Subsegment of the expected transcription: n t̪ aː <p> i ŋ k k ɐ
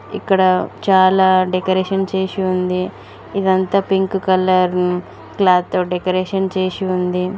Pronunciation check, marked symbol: correct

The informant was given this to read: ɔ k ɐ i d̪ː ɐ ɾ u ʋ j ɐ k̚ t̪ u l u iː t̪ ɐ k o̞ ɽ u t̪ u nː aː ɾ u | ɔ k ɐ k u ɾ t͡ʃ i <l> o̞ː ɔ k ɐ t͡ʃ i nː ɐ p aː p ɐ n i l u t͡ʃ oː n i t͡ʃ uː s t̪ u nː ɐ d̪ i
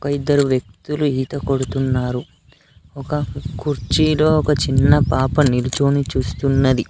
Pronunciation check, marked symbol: correct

